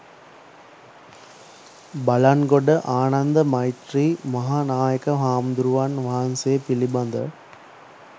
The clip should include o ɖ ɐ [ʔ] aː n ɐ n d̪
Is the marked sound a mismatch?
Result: no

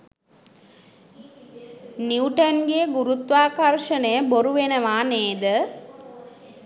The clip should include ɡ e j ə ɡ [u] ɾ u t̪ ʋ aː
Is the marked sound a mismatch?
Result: no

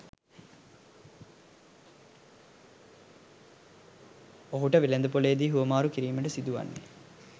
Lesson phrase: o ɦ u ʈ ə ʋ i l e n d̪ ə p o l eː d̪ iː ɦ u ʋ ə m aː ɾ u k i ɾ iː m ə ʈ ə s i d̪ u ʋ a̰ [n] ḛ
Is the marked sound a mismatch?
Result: yes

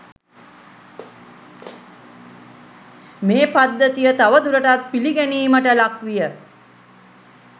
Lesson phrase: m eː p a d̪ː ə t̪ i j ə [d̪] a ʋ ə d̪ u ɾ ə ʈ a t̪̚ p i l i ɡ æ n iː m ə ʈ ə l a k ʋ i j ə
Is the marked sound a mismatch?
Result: yes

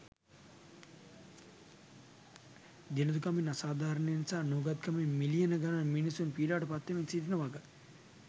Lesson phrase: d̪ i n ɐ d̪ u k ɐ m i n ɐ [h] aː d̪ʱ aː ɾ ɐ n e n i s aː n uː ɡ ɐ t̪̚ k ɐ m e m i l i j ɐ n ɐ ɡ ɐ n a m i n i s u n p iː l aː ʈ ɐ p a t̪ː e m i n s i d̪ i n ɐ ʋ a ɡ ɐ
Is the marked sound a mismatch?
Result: yes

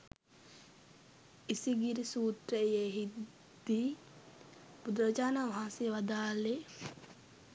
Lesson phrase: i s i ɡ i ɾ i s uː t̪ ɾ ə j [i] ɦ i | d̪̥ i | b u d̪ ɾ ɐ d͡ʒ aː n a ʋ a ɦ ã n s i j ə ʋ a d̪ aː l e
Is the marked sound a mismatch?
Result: yes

